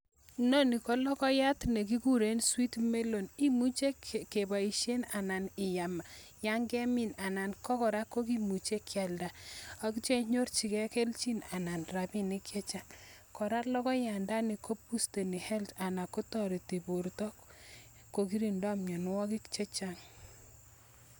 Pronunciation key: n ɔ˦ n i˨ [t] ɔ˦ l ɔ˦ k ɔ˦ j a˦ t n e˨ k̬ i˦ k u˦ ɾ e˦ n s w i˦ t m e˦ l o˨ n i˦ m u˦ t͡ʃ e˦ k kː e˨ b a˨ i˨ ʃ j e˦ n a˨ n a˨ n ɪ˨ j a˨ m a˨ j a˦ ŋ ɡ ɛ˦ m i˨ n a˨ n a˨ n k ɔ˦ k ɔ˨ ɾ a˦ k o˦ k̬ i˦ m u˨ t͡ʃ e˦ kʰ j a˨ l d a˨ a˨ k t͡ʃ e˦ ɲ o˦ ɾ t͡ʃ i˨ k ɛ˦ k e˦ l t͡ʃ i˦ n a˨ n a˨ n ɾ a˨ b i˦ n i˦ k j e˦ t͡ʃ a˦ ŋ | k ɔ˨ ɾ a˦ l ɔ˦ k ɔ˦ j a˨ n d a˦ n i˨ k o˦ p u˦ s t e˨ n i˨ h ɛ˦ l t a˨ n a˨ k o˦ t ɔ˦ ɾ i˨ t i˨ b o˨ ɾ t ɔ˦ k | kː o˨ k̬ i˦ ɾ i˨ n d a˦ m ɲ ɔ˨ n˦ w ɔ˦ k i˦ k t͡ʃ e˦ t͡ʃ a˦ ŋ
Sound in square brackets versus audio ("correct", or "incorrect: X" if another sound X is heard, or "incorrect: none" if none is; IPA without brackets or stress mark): incorrect: k